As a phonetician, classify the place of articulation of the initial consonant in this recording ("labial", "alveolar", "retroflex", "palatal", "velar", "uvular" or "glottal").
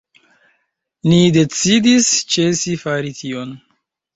alveolar